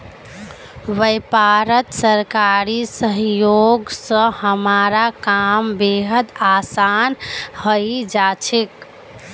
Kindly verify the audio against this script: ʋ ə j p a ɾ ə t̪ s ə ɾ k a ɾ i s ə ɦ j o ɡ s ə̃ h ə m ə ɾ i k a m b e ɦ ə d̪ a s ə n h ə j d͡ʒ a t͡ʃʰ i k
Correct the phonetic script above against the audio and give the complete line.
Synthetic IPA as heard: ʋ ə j p a ɾ ə t̪ s ə ɾ k a ɾ i s ə ɦ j o ɡ s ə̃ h ə m a ɾ a k a m b e ɦ ə d̪ a s a n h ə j d͡ʒ a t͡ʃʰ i k